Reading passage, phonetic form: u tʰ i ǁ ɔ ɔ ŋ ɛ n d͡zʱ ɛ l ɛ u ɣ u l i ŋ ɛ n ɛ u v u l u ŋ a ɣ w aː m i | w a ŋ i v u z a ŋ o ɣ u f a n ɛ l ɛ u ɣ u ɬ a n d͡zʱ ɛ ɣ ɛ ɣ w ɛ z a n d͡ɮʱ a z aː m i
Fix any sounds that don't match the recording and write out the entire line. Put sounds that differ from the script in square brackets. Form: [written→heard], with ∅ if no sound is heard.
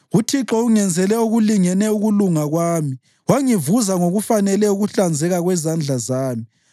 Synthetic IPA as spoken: u tʰ i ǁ ɔ [ɔ→u] ŋ ɛ n d͡zʱ ɛ l ɛ u ɣ u l i ŋ ɛ n ɛ u [v→ɣ] u l u ŋ a ɣ w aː m i | w a ŋ i v u z a ŋ o ɣ u f a n ɛ l ɛ u ɣ u ɬ a n d͡zʱ ɛ ɣ [ɛ→a] ɣ w ɛ z a n d͡ɮʱ a z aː m i